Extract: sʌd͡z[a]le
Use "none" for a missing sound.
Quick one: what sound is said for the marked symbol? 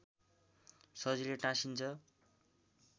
i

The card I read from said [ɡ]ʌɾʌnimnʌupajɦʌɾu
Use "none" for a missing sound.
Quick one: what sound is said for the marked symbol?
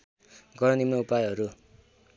ɡ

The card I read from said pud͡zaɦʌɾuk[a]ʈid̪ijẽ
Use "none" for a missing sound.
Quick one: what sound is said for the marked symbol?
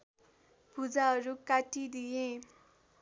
a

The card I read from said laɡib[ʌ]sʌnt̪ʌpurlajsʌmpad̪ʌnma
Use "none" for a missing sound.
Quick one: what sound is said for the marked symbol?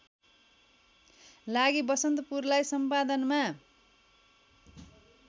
ʌ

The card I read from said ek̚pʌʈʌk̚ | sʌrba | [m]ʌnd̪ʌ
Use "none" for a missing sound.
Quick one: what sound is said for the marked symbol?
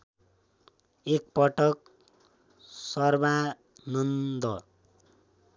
n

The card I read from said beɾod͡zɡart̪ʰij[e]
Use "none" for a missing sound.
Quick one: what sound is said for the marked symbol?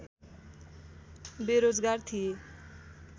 e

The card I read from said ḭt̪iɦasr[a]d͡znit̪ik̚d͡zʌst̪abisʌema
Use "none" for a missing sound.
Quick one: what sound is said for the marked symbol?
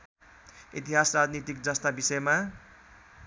a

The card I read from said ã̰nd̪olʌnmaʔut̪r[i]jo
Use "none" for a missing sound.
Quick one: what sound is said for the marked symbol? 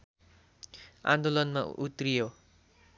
i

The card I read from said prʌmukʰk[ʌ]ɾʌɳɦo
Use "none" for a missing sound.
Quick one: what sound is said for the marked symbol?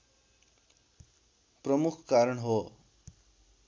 a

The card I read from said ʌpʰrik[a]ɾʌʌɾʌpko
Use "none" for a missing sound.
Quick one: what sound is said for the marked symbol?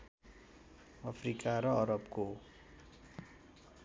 a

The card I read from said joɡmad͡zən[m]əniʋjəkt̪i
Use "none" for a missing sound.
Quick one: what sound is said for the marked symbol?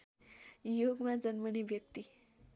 m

